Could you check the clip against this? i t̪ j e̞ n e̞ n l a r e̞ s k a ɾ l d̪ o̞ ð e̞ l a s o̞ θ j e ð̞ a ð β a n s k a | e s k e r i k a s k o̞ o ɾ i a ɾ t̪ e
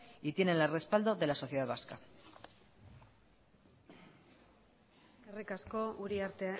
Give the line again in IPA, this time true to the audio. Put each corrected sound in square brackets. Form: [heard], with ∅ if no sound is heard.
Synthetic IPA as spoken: i t̪ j e̞ n e̞ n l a r e̞ s [p] a [∅] l d̪ o̞ ð e̞ l a s o̞ θ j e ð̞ a ð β a [∅] s k a | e s k e r i k a s k o̞ [u] ɾ i a ɾ t̪ e

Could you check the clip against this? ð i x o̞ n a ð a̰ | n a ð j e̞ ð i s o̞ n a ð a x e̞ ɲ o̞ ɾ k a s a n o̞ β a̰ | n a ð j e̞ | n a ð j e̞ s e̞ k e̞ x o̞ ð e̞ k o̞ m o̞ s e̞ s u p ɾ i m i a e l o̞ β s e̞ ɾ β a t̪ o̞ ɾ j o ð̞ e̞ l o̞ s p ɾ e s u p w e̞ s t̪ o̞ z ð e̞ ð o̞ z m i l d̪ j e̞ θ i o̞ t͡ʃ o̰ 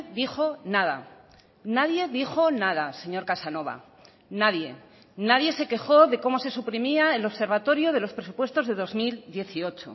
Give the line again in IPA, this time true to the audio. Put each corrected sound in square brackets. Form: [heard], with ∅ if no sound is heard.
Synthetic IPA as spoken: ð i x o̞ n a ð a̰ | n a ð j e̞ ð i [x] o̞ n a ð a [s] e̞ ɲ o̞ ɾ k a s a n o̞ β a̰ | n a ð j e̞ | n a ð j e̞ s e̞ k e̞ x o̞ ð e̞ k o̞ m o̞ s e̞ s u p ɾ i m i a e l o̞ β s e̞ ɾ β a t̪ o̞ ɾ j o ð̞ e̞ l o̞ s p ɾ e s u p w e̞ s t̪ o̞ z ð e̞ ð o̞ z m i l d̪ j e̞ θ i o̞ t͡ʃ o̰

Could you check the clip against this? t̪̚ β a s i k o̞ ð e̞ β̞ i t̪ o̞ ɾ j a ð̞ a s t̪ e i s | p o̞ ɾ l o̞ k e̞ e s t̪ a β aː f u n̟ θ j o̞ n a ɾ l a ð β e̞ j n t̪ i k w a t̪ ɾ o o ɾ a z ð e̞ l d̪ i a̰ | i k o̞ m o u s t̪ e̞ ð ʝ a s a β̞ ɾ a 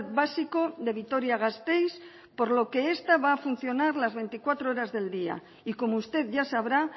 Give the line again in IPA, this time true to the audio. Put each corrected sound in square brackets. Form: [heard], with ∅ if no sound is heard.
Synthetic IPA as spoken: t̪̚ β a s i k o̞ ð e̞ β̞ i t̪ o̞ ɾ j a [ɣ̞] a s t̪ e [j] s | p o̞ ɾ l o̞ k e̞ e s t̪ a β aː f u n̟ θ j o̞ n a ɾ l a [z] β e̞ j n t̪ i k w a t̪ ɾ o o ɾ a z ð e̞ l d̪ i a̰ | i k o̞ m o u s t̪ e̞ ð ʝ a s a β̞ ɾ a

